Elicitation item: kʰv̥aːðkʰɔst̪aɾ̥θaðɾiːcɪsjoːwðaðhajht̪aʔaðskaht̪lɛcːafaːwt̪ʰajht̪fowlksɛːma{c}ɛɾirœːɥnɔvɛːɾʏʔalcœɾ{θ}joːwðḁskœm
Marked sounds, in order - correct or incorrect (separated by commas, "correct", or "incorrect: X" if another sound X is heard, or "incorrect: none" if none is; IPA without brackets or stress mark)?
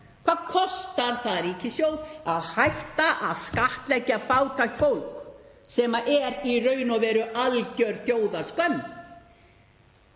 incorrect: ʔ, correct